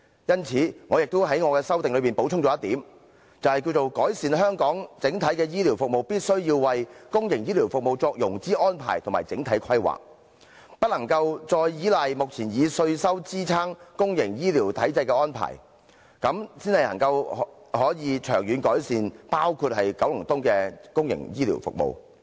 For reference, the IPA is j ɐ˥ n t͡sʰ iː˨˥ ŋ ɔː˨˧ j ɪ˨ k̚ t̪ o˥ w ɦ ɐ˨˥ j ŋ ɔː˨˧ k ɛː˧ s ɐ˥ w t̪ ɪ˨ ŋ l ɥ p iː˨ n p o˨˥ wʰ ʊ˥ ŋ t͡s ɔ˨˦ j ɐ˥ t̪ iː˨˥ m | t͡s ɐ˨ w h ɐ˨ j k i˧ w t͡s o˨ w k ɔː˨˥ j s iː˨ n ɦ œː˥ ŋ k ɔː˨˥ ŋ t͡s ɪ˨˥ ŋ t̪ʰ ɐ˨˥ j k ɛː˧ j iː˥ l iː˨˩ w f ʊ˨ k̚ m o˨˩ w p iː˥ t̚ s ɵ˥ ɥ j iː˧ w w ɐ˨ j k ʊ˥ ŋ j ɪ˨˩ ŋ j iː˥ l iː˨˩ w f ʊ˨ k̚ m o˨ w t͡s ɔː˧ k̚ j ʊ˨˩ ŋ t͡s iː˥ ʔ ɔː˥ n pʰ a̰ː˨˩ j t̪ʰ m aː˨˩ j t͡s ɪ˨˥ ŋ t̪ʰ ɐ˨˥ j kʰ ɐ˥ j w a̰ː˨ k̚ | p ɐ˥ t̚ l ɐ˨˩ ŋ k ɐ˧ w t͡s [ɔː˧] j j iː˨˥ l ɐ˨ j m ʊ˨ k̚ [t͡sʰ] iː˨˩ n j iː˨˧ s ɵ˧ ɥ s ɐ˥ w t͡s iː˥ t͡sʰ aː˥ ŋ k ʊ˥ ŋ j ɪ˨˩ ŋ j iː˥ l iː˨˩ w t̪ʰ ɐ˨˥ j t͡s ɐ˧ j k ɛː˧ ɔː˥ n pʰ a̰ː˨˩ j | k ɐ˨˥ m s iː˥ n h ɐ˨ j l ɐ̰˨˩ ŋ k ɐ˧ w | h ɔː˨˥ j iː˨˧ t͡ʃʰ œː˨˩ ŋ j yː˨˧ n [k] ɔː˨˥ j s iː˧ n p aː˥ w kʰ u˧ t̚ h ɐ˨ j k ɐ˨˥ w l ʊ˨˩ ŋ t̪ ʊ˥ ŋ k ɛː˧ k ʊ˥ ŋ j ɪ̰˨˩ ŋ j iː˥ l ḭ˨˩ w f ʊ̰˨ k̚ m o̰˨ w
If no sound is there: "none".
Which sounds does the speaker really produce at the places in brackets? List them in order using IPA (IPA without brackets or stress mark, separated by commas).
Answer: ɔː˧, t͡sʰ, k